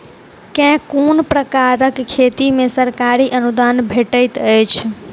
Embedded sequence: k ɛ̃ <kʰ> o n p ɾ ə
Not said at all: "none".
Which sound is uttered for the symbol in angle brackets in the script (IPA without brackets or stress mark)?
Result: k